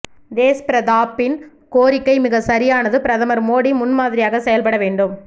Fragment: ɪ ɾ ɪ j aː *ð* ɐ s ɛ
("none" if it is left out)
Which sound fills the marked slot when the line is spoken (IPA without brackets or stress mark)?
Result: ɣ